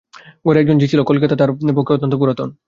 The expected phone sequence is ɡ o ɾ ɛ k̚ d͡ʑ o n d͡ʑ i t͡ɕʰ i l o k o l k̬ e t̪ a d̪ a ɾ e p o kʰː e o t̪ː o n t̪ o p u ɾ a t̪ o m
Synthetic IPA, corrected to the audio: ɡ o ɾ ɛ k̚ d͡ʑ o n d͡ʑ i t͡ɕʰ i l o k o l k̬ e t̪ a t̪ a ɾ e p o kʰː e o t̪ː o n t̪ o p u ɾ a t̪ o n